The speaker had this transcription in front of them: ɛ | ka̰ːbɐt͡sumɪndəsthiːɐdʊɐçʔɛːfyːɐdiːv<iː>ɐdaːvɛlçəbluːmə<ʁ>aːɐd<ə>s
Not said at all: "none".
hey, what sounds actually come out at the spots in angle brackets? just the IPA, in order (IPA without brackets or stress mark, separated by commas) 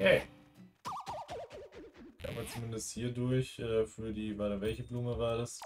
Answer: aː, v, a